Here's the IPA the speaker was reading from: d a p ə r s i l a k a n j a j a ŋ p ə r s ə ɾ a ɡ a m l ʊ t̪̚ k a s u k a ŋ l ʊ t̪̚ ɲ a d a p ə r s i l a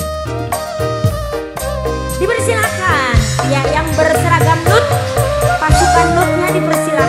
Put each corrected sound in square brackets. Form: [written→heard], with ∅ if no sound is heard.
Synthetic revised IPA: d [a→i] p ə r s i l a k a n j a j a ŋ [p→b] ə r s ə ɾ a ɡ a m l ʊ t̪̚ [k→p] a s u k a [ŋ→n] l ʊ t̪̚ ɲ a d [a→i] p ə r s i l a